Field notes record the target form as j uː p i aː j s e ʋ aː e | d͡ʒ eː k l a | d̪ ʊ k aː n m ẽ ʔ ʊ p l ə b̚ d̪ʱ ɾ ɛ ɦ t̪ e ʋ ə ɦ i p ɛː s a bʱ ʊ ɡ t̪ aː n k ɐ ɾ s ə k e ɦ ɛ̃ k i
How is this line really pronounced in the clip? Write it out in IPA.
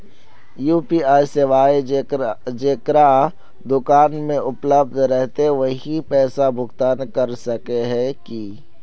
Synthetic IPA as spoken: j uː p i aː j s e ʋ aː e | d͡ʒ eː k ɾ a | d̪ ʊ k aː n m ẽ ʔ ʊ p l ə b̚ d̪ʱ ɾ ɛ ɦ t̪ e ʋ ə ɦ i p ɛː s a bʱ ʊ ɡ t̪ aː n k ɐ ɾ s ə k e ɦ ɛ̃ k i